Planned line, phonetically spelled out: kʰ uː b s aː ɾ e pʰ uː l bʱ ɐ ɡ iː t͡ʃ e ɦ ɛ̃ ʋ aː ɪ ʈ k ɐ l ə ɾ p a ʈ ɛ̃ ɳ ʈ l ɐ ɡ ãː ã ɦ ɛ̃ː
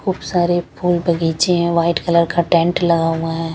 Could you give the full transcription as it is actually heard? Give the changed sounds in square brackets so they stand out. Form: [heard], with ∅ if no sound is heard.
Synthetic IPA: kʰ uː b s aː ɾ e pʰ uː l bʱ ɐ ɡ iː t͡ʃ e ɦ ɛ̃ ʋ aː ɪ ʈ k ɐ l ə ɾ [k] a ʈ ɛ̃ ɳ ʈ l ɐ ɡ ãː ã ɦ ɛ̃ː